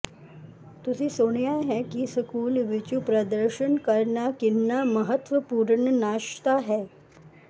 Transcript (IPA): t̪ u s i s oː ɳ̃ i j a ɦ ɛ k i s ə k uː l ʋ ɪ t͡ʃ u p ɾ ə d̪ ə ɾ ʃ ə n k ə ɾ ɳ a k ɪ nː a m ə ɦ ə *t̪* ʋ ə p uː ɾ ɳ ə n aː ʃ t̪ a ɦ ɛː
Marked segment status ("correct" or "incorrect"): correct